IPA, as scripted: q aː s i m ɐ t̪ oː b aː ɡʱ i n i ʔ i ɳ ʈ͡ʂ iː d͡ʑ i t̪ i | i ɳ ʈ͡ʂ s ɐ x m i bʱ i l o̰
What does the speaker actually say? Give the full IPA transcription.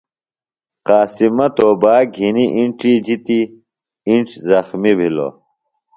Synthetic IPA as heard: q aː s i m ɐ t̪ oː b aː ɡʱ i n i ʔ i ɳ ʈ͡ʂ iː d͡ʑ i t̪ i | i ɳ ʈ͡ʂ z ɐ x m i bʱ i l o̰